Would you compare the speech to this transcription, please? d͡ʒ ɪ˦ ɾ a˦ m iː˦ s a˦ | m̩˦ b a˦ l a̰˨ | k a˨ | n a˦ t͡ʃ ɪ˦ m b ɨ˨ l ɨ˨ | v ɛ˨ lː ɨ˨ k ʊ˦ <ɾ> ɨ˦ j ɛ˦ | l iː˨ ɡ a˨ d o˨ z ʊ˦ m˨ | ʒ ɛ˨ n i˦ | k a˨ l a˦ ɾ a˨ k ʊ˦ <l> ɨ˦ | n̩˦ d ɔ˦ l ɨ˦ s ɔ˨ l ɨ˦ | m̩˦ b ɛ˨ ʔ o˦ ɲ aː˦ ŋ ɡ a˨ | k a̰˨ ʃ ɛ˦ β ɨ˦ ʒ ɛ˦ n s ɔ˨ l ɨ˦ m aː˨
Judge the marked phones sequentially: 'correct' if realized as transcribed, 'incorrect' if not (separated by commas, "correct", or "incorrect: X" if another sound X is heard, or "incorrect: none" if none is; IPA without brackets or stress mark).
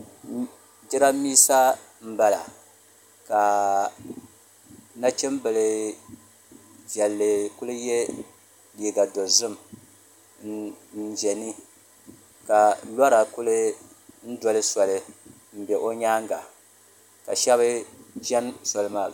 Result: incorrect: l, correct